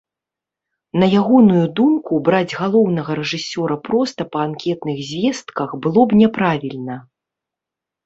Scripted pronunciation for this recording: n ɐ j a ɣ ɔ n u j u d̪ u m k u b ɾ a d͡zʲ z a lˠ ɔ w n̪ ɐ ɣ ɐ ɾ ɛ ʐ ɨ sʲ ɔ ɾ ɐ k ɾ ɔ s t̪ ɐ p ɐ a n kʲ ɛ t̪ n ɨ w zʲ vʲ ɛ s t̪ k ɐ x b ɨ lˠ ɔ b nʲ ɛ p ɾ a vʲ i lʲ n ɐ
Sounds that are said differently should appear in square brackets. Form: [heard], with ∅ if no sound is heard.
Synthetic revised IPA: n ɐ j a ɣ ɔ n u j u d̪ u m k u b ɾ a d͡zʲ [ɣ] a lˠ ɔ w n̪ ɐ ɣ ɐ ɾ ɛ ʐ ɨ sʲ ɔ ɾ ɐ [p] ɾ ɔ s t̪ ɐ p ɐ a n kʲ ɛ t̪ n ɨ [ɣ] zʲ vʲ ɛ s t̪ k ɐ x b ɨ lˠ ɔ b nʲ ɛ p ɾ a vʲ i lʲ n ɐ